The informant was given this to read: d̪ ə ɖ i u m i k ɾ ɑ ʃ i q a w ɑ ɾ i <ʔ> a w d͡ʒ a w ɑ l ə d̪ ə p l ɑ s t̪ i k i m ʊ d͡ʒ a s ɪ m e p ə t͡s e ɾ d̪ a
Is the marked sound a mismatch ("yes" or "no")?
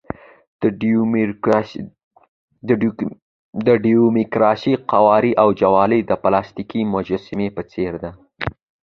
no